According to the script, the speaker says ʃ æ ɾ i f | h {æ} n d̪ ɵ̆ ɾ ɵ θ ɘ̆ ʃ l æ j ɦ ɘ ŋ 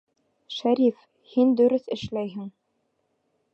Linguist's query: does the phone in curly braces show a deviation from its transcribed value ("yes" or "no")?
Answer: yes